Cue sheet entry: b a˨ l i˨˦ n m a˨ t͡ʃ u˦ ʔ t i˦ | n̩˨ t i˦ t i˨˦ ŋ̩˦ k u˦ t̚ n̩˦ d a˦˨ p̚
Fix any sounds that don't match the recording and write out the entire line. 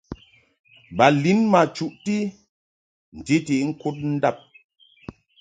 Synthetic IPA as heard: b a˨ l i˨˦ n m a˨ t͡ʃ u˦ ʔ t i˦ | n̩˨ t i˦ t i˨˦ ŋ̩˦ k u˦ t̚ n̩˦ d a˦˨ p̚